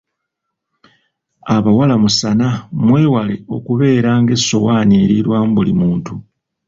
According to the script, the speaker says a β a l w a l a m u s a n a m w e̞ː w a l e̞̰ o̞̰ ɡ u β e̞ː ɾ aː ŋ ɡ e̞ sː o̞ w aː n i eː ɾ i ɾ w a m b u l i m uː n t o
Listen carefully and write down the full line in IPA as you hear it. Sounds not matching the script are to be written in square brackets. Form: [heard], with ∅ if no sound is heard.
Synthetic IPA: a β a [∅] w a l a m u s a n a m w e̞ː w a l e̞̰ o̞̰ [k] u β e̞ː ɾ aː ŋ ɡ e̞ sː o̞ w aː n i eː ɾ i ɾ w a m b u l i m uː n t [u]